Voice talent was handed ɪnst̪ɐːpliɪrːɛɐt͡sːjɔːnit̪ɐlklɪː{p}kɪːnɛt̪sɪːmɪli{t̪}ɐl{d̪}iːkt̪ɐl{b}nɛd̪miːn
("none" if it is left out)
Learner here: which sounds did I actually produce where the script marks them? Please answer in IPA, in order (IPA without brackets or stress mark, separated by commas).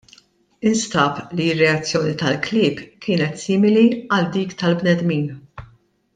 p, none, d̪, b